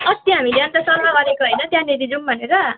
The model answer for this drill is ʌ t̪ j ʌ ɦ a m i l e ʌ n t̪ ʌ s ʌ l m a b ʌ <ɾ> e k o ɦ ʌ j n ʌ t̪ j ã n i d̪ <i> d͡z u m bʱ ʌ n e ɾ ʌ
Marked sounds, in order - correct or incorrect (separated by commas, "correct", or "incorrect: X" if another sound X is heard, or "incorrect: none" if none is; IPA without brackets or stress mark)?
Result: correct, correct